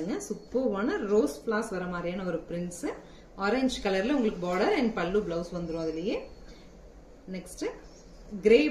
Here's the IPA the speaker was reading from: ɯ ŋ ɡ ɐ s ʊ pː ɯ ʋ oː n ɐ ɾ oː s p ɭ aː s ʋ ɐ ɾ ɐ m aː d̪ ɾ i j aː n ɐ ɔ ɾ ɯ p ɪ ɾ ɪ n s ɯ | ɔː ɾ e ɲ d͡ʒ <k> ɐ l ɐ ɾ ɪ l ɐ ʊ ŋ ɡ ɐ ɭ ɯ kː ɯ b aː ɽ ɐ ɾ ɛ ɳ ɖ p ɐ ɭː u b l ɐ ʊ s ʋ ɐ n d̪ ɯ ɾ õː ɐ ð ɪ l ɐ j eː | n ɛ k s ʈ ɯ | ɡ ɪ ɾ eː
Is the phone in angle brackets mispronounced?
no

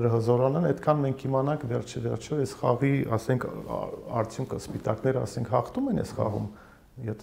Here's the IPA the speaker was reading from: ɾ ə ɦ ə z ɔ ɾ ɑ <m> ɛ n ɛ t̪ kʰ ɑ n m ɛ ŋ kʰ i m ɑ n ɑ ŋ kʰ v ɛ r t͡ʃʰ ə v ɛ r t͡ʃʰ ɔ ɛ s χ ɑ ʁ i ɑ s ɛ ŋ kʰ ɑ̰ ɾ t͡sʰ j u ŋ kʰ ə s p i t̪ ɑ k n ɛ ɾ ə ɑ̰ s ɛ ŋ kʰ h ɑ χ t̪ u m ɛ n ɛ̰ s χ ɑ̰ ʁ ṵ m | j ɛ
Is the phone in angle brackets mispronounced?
yes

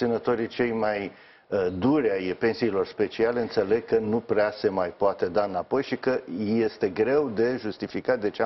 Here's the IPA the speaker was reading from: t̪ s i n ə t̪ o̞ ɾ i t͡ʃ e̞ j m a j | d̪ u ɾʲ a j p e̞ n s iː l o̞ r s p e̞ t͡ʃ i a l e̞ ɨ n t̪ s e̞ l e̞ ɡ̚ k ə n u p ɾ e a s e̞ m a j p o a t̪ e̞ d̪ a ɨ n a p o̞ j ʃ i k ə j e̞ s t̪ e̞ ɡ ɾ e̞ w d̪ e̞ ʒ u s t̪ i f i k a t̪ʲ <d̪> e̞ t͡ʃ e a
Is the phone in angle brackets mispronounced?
no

